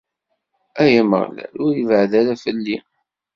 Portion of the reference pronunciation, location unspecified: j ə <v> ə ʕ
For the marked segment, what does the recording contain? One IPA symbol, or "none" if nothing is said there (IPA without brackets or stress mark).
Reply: v